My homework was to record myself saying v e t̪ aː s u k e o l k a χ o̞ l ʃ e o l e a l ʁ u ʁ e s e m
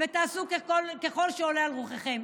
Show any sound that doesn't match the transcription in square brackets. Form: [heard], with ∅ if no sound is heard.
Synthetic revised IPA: v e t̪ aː s u k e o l k [e] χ o̞ l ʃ e o l e a l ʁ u [χ] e [χ] e m

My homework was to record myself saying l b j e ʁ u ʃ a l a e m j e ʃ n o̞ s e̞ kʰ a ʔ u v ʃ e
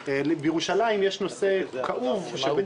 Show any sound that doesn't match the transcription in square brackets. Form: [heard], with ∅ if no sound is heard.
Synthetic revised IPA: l b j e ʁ u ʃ a l a [i] m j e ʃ n o̞ s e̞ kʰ a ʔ u v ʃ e

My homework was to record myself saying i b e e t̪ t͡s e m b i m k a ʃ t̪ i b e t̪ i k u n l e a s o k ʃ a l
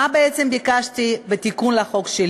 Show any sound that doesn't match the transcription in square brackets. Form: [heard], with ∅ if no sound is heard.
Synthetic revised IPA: [a] b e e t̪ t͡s e m b i [∅] k a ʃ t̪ i b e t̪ i k u n l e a [χ] o k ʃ [e] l

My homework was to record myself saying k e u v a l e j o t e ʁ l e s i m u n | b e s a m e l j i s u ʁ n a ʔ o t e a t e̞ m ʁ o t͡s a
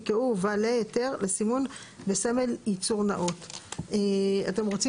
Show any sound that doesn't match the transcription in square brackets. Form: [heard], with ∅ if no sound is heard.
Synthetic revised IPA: k e u v a l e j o t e ʁ l e s i m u n | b e s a m e l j i [t͡s] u ʁ n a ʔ o t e a t e̞ m ʁ o t͡s [i]

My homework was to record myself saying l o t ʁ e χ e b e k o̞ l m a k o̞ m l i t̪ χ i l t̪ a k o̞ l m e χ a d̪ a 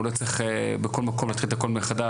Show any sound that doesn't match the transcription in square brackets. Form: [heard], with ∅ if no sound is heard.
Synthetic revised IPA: l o [t͡s] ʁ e χ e b e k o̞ l m a k o̞ m l [a] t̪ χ i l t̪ a k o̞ l m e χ a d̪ a

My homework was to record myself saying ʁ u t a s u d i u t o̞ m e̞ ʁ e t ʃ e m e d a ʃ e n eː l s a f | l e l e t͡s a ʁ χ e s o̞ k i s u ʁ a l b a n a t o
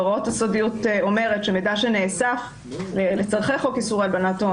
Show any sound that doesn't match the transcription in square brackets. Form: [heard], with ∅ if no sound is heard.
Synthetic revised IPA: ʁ [o] t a s [o] d i u t o̞ m e̞ ʁ e t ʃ e m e d a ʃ e n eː [∅] s a f | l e l e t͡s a ʁ χ e [χ] o̞ k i s u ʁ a l b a n a t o

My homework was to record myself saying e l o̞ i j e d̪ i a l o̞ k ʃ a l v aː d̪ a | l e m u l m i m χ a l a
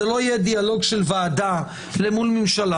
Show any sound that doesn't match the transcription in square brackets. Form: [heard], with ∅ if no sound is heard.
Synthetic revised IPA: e l o̞ i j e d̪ i a l o̞ [ɡ] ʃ [e] l v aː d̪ a | l e m u l m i m [ʃ] a l a

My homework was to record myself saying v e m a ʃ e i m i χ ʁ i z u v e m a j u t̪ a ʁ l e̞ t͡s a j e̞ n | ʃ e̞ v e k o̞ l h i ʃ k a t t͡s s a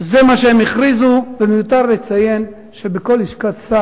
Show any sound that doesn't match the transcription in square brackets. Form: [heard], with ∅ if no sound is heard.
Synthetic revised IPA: [z] e m a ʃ e [e] m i χ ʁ i z u v e m [e] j u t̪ a ʁ l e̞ t͡s a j e̞ n | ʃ e̞ [b] e k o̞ l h i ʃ k a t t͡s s a

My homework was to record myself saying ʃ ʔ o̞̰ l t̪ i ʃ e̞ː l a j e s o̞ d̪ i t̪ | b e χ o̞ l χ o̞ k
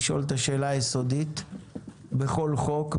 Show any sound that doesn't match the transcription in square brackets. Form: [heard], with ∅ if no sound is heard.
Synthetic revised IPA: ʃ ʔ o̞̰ l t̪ [a] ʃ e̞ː l a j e s o̞ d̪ i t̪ | b e χ o̞ l χ o̞ k

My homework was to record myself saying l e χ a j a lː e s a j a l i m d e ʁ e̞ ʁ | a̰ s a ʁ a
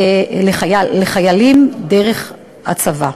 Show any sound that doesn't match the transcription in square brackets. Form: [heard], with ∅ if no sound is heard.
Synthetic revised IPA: l e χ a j a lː e [χ] a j a l i m d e ʁ e̞ [χ] | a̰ [t͡s] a [v] a

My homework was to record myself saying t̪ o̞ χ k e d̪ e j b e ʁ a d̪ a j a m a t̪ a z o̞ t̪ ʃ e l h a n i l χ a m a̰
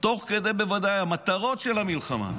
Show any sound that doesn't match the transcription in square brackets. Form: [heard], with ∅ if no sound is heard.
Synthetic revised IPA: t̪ o̞ χ k e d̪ e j b e [v] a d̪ a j a m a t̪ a [ʁ] o̞ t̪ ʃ e l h a [m] i l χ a m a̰

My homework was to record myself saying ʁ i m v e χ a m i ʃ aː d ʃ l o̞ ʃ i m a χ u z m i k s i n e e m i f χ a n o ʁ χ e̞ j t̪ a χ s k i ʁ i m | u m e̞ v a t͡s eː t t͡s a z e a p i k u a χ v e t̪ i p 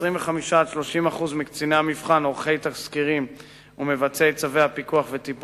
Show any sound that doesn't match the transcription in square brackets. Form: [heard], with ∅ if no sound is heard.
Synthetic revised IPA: ʁ i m v e χ a m i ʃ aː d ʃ l o̞ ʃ i m a χ u z m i k [t͡s] i n e [a] m i f χ a n o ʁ χ e̞ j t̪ a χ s k i ʁ i m | u m e̞ v a t͡s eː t t͡s a [v] e a p i k u a χ v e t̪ i p

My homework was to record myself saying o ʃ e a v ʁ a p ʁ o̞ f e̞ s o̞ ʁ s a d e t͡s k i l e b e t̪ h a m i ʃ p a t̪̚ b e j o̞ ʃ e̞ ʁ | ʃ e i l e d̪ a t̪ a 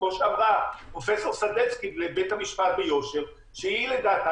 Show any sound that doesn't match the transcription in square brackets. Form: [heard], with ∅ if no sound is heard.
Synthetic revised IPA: o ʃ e a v ʁ a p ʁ o̞ f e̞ s o̞ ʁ s a d e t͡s k i l e b e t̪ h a m i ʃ p a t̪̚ b e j o̞ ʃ e̞ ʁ | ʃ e i l e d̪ a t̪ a

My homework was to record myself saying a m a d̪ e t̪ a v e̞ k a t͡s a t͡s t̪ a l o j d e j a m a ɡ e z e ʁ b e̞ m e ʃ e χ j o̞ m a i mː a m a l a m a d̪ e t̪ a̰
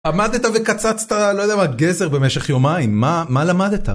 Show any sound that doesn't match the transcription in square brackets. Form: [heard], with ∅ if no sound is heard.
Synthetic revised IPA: a m a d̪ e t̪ a v e̞ k a t͡s a t͡s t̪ a l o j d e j a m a ɡ e z e ʁ b e̞ m e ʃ e χ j o̞ m a i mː a m a l a m a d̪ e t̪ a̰

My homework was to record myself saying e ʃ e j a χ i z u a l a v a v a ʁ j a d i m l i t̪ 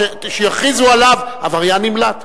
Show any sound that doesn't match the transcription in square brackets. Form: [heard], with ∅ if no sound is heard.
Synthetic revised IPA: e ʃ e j a χ i z u a l a v a v a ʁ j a [n] i m l [a] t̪

